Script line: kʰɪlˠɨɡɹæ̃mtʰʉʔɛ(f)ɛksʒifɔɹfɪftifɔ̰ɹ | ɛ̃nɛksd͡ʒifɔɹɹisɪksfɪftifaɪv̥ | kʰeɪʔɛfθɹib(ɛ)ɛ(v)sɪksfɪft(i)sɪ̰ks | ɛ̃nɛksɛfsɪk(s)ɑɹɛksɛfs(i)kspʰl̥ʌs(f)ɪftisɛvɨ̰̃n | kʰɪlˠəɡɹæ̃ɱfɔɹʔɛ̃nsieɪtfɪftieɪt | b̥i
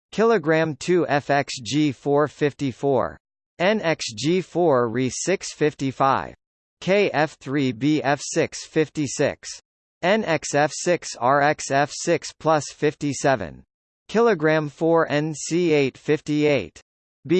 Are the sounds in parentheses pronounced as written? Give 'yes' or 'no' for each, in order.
yes, no, no, yes, yes, no, yes

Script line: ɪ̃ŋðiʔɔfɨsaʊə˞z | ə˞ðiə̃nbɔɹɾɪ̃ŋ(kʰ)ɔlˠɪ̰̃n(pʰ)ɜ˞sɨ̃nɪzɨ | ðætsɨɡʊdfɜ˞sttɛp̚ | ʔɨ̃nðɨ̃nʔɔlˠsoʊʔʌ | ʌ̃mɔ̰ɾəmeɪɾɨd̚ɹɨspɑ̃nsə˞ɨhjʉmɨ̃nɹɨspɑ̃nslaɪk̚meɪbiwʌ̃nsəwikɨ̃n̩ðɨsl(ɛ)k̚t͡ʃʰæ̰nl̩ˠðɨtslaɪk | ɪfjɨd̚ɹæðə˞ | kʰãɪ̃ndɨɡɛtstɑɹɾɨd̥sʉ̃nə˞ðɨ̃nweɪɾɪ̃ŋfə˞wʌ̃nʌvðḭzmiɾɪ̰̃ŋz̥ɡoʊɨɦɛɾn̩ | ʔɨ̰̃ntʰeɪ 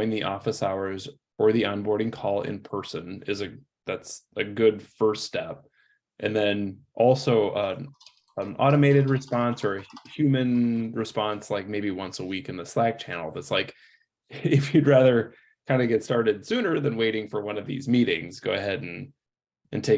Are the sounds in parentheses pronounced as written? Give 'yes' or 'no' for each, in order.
yes, yes, no

